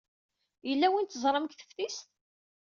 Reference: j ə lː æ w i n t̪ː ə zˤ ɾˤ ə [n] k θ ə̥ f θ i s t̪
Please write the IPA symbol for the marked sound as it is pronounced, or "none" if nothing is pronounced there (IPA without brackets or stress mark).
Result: m